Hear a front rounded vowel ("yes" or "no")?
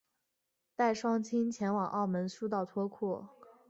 no